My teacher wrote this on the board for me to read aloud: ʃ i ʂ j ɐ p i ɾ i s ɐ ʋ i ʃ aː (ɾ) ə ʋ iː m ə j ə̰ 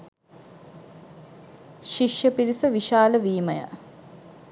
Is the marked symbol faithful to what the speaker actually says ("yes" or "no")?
no